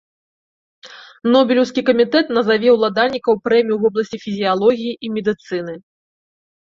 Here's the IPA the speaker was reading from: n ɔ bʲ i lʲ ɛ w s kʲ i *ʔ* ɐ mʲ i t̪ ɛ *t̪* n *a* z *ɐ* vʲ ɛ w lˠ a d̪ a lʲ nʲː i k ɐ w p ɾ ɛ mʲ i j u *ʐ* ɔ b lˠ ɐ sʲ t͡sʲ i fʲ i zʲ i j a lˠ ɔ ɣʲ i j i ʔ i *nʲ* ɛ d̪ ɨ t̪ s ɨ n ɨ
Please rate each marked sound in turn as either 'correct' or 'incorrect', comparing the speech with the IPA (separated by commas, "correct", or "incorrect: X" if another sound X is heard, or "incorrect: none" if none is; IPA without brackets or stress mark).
incorrect: k, correct, incorrect: ɐ, incorrect: a, incorrect: v, incorrect: mʲ